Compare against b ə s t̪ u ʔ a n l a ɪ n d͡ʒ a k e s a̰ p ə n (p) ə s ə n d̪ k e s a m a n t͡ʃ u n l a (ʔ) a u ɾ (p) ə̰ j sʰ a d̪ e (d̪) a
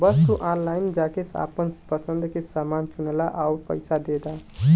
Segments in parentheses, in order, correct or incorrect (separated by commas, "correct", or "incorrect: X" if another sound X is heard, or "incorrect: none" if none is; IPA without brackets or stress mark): correct, correct, correct, correct